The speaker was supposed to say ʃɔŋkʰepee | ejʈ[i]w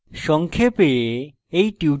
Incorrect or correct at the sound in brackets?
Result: correct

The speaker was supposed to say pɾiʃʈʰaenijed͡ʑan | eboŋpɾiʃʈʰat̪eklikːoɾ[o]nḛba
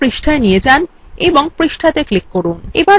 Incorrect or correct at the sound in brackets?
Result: incorrect: u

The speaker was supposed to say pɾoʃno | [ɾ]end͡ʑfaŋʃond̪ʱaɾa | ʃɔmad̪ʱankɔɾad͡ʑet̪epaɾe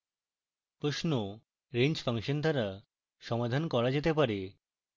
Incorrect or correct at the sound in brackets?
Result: correct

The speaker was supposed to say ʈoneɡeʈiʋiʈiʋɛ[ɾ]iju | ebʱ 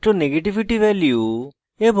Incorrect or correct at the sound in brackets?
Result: incorrect: l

